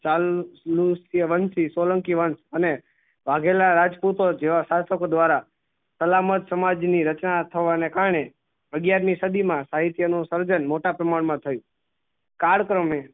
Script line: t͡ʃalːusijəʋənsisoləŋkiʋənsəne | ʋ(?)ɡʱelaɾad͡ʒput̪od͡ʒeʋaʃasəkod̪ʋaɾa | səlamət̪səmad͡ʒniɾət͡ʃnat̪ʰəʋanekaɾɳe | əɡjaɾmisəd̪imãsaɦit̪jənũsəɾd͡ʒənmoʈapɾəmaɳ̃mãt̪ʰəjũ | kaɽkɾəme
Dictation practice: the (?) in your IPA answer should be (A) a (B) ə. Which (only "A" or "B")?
A